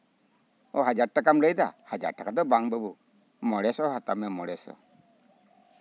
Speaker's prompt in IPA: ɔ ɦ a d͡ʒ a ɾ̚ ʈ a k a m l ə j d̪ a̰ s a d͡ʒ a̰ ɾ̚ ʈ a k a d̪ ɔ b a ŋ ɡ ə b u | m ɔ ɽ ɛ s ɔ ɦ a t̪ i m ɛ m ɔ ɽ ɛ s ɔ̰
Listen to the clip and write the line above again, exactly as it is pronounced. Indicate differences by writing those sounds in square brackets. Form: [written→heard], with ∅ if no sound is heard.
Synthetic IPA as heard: ɔ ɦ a d͡ʒ a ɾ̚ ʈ a k a m l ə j d̪ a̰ [s→h] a d͡ʒ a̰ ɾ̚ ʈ a k a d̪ ɔ b a ŋ [ɡ→b] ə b u | m ɔ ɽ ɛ s ɔ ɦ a t̪ [i→a] m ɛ m ɔ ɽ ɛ s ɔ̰